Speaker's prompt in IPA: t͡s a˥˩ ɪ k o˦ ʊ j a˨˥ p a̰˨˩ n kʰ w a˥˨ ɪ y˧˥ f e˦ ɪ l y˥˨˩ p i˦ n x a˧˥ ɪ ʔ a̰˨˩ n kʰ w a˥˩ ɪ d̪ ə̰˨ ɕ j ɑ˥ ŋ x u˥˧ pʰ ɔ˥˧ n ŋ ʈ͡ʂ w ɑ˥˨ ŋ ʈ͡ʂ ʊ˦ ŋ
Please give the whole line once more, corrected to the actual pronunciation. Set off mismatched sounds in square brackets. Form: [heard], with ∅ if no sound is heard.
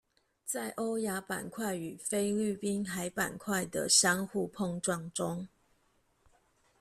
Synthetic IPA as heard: t͡s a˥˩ ɪ [ʔ] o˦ ʊ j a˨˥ p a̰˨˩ n kʰ w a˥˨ ɪ [y˨˩] f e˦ ɪ l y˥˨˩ p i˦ n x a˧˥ ɪ [p] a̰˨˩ n kʰ w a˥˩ ɪ d̪ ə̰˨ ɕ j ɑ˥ ŋ x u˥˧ pʰ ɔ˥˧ [∅] ŋ ʈ͡ʂ w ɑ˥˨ ŋ ʈ͡ʂ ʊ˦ ŋ

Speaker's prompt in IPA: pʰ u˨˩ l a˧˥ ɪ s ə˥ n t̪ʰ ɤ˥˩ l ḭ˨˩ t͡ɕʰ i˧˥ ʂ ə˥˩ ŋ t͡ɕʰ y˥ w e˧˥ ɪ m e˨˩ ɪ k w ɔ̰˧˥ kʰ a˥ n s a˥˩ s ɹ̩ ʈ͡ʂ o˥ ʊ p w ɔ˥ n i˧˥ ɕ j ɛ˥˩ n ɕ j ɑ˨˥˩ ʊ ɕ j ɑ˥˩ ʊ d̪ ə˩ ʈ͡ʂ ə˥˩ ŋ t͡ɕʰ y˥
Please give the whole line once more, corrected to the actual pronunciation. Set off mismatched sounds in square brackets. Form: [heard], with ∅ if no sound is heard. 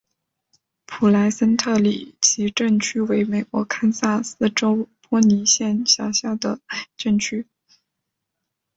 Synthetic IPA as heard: pʰ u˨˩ l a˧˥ ɪ s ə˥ n t̪ʰ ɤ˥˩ l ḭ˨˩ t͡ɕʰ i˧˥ [ʈ͡ʂ] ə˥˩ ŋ t͡ɕʰ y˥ w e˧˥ ɪ m e˨˩ ɪ k w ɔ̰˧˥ kʰ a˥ n s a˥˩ s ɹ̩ ʈ͡ʂ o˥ ʊ p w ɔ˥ n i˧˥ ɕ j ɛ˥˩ n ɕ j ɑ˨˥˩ ʊ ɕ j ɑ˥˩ ʊ d̪ ə˩ ʈ͡ʂ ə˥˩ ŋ t͡ɕʰ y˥

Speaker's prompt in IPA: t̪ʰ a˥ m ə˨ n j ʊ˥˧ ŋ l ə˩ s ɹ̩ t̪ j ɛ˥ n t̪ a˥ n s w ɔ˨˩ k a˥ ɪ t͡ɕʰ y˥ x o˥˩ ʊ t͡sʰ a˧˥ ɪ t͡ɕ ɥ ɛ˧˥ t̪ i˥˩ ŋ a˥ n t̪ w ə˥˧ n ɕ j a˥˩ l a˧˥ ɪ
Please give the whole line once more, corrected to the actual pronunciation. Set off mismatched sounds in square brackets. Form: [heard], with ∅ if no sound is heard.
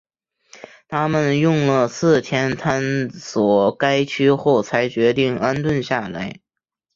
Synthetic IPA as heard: t̪ʰ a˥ m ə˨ n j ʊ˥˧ ŋ l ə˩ s ɹ̩ [t̪ʰ] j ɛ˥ n [t̪ʰ] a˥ n s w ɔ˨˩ k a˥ ɪ t͡ɕʰ y˥ x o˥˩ ʊ t͡sʰ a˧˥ ɪ t͡ɕ ɥ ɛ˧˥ t̪ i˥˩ ŋ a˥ n t̪ w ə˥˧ n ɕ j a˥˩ l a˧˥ ɪ

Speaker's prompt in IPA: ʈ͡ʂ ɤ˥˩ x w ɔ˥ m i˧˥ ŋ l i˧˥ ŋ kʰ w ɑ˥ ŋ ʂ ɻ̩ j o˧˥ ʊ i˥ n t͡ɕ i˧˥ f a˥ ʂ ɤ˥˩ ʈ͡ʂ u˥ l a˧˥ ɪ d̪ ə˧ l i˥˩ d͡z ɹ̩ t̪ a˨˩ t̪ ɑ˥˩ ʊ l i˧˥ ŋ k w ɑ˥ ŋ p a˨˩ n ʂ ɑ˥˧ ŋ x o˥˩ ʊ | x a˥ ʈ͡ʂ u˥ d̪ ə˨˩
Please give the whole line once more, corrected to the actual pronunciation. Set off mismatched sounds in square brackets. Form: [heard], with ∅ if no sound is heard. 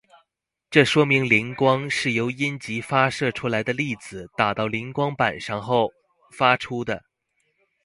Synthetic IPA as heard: ʈ͡ʂ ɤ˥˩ [ʂ] w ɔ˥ m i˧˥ ŋ l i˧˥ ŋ [k] w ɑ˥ ŋ ʂ ɻ̩ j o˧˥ ʊ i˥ n t͡ɕ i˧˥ f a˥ ʂ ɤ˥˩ [ʈ͡ʂʰ] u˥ l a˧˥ ɪ d̪ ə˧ l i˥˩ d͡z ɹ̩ t̪ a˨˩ t̪ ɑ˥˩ ʊ l i˧˥ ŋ k w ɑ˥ ŋ p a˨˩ n ʂ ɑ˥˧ ŋ x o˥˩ ʊ | [f] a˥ [ʈ͡ʂʰ] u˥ d̪ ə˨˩

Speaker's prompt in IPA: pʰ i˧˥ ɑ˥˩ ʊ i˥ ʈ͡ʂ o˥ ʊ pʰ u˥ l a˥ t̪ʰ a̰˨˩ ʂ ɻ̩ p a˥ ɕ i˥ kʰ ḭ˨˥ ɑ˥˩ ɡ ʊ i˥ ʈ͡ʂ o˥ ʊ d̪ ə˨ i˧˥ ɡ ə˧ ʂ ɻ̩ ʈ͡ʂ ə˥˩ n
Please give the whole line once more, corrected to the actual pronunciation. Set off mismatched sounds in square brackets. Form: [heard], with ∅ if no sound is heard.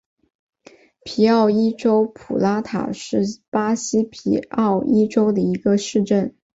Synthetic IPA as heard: pʰ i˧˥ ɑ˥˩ ʊ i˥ ʈ͡ʂ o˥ ʊ pʰ [u˨˩] l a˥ t̪ʰ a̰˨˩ ʂ ɻ̩ p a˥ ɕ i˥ [pʰ] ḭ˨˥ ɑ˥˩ [∅] ʊ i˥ ʈ͡ʂ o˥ ʊ d̪ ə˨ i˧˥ ɡ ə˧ ʂ ɻ̩ ʈ͡ʂ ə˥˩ n

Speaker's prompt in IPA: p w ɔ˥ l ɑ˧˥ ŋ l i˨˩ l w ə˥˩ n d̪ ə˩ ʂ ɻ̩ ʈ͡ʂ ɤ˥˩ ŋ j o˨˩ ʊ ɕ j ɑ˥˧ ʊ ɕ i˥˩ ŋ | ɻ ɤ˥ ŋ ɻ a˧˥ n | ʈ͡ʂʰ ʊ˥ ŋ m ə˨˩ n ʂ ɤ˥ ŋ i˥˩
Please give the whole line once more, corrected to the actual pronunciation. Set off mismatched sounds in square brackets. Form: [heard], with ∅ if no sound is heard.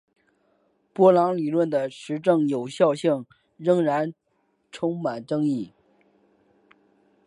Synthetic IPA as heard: p w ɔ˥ l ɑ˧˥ ŋ l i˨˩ l w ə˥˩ n d̪ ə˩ ʂ ɻ̩ ʈ͡ʂ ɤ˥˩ ŋ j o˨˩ ʊ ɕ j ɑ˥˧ ʊ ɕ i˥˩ ŋ | ɻ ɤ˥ ŋ ɻ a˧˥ n | ʈ͡ʂʰ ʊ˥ ŋ m [a˨˩] n [ʈ͡ʂ] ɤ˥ ŋ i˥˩

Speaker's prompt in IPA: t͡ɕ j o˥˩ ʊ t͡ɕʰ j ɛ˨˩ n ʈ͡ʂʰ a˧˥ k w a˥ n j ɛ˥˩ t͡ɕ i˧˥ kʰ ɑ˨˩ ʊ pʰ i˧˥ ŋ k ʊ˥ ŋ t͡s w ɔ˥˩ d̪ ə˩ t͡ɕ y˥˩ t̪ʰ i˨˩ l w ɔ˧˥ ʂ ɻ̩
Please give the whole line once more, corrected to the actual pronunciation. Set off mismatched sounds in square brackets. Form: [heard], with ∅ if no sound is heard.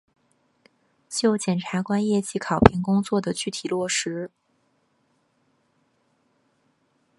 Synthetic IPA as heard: t͡ɕ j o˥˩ ʊ [t͡ɕ] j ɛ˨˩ n ʈ͡ʂʰ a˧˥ k w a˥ n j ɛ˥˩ t͡ɕ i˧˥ kʰ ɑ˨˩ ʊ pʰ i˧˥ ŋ k ʊ˥ ŋ t͡s w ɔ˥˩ d̪ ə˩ t͡ɕ y˥˩ t̪ʰ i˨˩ l w [ɔ˥˩] ʂ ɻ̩

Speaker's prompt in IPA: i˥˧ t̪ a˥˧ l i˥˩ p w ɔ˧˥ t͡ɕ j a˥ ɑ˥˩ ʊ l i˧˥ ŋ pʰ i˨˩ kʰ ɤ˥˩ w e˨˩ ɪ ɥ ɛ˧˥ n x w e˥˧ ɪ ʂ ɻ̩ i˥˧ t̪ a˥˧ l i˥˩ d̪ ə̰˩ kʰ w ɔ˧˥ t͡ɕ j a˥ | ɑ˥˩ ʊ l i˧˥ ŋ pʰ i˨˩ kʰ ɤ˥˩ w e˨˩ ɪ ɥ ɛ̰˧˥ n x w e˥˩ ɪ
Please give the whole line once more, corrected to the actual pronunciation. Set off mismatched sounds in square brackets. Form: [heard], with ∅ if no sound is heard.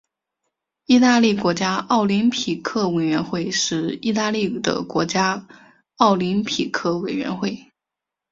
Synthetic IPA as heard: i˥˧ t̪ a˥˧ l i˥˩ [k] w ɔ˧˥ t͡ɕ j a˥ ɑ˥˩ ʊ l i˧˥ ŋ pʰ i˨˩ kʰ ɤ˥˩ w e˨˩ ɪ ɥ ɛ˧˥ n x w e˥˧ ɪ ʂ ɻ̩ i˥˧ t̪ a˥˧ l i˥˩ d̪ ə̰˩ [k] w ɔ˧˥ t͡ɕ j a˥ | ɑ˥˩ ʊ l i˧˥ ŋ pʰ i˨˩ kʰ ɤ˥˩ w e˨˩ ɪ ɥ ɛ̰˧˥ n x w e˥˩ ɪ

